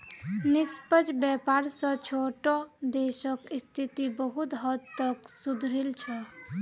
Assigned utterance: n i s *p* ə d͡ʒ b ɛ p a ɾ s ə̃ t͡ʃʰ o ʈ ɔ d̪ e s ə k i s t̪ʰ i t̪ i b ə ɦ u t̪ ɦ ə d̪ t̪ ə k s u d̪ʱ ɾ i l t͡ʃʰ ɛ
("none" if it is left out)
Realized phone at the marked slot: p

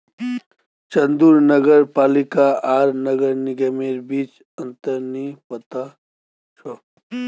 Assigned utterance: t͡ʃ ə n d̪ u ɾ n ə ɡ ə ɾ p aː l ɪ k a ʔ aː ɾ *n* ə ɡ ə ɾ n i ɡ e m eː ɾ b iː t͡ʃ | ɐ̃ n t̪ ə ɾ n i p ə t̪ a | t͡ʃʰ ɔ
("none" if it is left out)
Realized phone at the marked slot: n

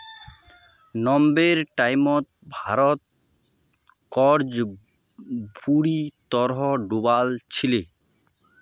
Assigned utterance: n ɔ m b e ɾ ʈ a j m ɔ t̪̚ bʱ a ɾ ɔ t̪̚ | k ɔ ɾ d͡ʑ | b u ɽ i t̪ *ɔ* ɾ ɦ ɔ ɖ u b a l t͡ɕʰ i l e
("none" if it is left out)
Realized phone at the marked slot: ɔ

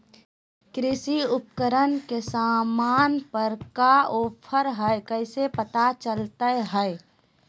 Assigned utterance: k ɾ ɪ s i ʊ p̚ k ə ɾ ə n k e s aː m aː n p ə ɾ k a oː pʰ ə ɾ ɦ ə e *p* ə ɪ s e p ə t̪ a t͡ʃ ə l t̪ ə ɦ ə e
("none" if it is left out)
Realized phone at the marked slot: k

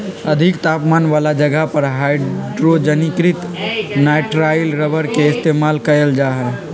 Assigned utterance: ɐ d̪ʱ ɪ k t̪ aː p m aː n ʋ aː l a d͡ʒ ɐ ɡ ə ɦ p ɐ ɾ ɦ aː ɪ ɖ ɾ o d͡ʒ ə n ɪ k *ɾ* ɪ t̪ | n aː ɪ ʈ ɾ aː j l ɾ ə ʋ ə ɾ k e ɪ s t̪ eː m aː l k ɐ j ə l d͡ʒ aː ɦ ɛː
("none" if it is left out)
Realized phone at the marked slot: ɾ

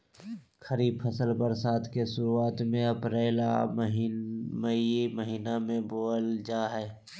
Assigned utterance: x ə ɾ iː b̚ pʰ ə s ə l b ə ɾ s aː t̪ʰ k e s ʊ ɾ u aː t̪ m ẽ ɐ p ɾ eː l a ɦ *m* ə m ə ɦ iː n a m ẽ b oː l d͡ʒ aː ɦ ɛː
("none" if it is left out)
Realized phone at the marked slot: m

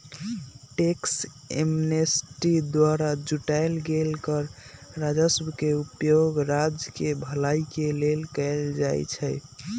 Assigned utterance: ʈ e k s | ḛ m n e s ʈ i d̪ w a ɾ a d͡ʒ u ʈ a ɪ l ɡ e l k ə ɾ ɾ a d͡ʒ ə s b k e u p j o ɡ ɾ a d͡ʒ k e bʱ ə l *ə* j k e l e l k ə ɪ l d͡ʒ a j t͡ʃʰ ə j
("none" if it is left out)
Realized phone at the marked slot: a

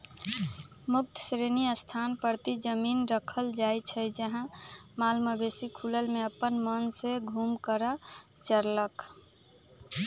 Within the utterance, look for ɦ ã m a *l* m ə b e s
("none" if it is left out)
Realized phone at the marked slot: l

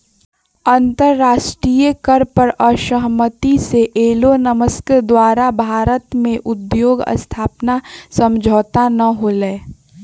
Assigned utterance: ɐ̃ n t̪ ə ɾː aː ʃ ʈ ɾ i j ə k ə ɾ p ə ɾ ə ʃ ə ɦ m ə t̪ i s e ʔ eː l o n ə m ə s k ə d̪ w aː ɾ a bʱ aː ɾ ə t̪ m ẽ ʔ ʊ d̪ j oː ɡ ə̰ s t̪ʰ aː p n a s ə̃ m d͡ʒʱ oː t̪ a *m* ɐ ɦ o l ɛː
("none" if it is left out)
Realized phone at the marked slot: n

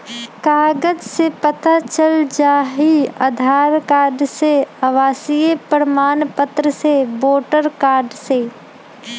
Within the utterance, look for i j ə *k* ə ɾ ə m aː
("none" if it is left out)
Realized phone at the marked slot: p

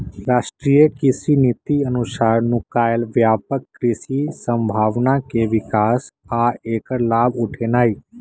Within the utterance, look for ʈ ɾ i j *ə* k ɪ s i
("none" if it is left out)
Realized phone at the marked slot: ə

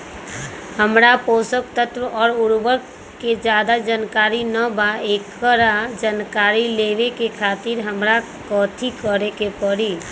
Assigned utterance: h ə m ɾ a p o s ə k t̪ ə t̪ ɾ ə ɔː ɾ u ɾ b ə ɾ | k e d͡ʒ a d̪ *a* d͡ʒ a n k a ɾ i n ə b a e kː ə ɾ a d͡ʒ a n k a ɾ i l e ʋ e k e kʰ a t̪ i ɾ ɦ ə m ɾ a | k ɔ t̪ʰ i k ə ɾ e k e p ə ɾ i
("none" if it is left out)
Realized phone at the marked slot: a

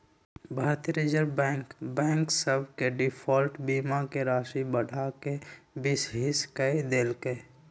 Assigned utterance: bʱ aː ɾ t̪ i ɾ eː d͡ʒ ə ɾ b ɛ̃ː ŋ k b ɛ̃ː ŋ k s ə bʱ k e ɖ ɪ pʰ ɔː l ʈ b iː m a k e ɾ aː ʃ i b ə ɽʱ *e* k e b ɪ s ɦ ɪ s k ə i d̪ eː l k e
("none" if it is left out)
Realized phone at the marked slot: a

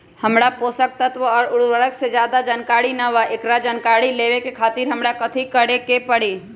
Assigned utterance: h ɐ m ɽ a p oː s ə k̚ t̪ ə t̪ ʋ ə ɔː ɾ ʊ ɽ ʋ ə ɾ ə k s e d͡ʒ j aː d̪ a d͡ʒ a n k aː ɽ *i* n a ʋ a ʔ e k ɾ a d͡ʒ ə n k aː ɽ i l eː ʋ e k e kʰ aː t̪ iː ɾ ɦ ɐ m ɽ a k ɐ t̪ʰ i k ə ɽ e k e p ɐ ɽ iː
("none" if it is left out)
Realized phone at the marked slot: i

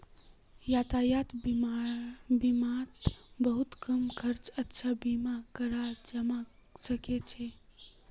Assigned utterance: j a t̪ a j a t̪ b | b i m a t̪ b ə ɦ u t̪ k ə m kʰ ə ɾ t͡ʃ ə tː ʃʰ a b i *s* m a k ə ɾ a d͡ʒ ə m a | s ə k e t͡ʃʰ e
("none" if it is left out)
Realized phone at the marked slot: none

